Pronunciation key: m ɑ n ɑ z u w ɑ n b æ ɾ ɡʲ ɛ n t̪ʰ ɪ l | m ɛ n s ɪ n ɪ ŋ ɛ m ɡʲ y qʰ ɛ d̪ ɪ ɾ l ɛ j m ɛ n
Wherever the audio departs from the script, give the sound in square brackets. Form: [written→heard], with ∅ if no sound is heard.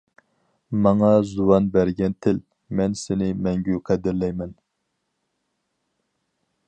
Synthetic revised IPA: m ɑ [n→ŋ] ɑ z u w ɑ n b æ ɾ ɡʲ ɛ n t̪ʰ ɪ l | m ɛ n s ɪ n ɪ [ŋ→m] ɛ [m→ŋ] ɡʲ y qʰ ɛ d̪ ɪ ɾ l ɛ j m ɛ n